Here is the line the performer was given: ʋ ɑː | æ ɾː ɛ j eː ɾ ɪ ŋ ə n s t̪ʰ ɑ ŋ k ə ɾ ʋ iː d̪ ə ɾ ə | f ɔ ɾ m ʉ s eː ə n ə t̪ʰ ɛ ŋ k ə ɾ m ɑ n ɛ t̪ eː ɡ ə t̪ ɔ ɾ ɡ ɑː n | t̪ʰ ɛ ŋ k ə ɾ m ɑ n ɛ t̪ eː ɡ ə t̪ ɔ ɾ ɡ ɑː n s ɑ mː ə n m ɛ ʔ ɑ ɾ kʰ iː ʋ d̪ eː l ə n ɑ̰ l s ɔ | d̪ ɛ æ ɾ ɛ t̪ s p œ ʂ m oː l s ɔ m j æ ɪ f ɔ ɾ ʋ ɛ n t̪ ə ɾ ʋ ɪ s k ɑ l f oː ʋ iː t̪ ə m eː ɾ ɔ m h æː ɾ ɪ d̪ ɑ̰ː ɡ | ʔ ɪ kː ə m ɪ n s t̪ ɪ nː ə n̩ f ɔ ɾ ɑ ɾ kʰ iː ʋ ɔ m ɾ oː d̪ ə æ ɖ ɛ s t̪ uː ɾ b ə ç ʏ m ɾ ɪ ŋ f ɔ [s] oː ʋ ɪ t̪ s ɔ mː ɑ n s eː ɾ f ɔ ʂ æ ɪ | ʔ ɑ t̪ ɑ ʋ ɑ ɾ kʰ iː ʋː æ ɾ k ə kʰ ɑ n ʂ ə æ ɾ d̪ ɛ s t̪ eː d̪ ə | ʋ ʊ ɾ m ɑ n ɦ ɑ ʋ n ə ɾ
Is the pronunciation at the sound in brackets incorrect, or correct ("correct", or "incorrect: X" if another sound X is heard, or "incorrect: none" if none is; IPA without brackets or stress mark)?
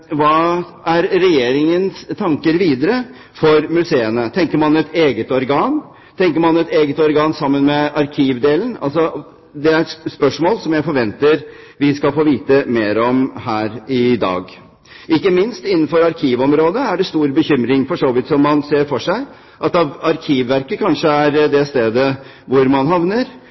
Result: incorrect: ʂ